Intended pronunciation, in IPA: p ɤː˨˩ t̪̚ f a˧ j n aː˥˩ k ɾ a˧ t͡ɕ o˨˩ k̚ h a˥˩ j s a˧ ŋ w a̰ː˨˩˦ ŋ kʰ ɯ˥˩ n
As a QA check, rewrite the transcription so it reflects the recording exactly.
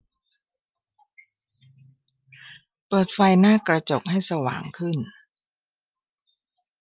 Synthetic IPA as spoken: p ɤː˨˩ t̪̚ f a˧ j n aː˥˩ k ɾ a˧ t͡ɕ o˨˩ k̚ h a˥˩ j s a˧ w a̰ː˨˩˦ ŋ kʰ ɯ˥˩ n

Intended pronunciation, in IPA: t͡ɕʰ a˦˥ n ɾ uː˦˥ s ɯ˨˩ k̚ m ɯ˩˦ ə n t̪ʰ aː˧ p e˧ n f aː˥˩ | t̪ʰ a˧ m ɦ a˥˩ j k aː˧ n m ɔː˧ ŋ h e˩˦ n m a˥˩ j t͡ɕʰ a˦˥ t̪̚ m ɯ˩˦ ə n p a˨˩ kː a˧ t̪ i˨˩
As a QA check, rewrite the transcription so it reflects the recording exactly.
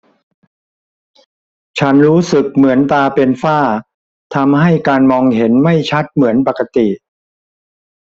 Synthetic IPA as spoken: t͡ɕʰ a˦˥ n ɾ uː˦˥ s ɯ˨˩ k̚ m ɯ˩˦ ə n t̪ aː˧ p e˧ n f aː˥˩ | t̪ʰ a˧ m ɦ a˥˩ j k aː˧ n m ɔː˧ ŋ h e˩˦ n m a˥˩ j t͡ɕʰ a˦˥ t̪̚ m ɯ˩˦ ə n p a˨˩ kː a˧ t̪ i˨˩

